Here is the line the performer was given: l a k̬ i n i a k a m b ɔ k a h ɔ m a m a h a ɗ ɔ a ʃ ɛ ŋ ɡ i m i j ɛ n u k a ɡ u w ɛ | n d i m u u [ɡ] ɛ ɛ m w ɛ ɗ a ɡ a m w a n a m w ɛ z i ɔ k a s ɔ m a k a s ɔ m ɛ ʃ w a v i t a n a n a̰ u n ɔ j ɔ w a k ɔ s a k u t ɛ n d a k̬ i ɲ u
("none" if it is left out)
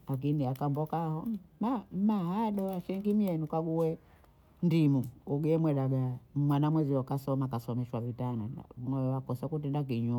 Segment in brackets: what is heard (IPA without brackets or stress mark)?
ɡ